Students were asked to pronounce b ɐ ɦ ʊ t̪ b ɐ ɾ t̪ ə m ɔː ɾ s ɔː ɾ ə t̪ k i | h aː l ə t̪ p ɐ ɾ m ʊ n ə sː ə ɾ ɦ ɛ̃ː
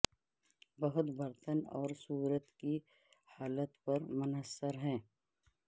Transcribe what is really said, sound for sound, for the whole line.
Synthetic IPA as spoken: b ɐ ɦ ʊ t̪ b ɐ ɾ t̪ ə n ɔː ɾ s uː ɾ ə t̪ k i | h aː l ə t̪ p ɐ ɾ m ʊ n ə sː ə ɾ ɦ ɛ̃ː